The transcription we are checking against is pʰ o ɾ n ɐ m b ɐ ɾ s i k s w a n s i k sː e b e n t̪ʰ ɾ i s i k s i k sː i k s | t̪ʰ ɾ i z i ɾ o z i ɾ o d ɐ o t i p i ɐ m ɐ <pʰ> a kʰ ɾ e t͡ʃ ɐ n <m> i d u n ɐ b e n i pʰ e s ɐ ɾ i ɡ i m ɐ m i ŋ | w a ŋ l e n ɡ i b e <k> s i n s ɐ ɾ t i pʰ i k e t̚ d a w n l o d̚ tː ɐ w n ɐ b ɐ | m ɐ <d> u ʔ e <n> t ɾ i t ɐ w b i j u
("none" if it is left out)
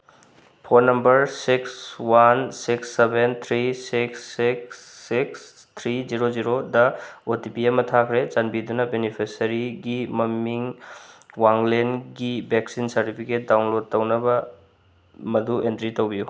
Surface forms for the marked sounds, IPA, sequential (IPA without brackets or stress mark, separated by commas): tʰ, b, k, d, n